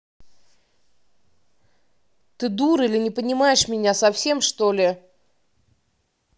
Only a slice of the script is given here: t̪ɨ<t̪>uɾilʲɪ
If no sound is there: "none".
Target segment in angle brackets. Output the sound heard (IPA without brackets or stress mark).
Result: d̪